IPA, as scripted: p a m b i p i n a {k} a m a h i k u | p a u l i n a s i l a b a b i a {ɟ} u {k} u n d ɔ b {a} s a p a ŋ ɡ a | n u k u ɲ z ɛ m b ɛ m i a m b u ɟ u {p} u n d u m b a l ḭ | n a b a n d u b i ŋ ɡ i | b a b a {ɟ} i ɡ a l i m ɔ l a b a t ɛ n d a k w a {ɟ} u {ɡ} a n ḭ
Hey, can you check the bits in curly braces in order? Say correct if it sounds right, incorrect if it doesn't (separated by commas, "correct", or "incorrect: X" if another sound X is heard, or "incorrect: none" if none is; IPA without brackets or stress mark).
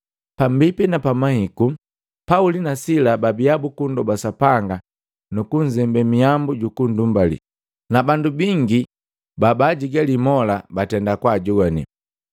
incorrect: p, incorrect: b, correct, correct, incorrect: k, correct, correct, correct